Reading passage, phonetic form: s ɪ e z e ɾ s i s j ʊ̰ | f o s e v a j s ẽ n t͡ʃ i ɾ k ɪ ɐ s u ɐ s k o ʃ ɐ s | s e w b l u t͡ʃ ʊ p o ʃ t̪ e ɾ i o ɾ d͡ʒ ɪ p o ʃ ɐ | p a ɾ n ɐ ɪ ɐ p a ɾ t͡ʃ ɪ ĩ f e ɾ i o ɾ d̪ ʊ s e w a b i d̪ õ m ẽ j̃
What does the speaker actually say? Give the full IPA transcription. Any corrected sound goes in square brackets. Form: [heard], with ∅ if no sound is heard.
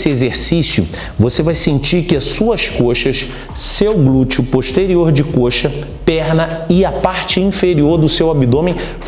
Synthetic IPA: s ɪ e z e ɾ s i s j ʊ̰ | [v] o s e v a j s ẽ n t͡ʃ i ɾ k ɪ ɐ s u ɐ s k o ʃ ɐ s | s e w [ɡ] l u t͡ʃ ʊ p o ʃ t̪ e ɾ i o ɾ d͡ʒ ɪ [k] o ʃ ɐ | p [ɛ] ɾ n ɐ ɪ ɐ p a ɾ t͡ʃ ɪ ĩ f e ɾ i o ɾ d̪ ʊ s e w a b i d̪ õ m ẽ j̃